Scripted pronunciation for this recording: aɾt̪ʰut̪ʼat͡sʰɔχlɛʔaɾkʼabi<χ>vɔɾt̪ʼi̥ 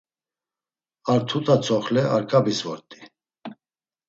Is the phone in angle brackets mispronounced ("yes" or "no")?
yes